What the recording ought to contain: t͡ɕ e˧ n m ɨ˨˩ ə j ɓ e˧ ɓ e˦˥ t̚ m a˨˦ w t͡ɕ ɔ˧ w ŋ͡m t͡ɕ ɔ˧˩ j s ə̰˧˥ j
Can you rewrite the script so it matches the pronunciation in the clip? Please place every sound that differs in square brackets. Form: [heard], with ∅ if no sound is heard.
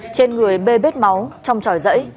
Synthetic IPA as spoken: t͡ɕ e˧ n [ŋ] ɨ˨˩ ə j ɓ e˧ ɓ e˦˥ t̚ m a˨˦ w t͡ɕ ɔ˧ w ŋ͡m t͡ɕ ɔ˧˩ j [z] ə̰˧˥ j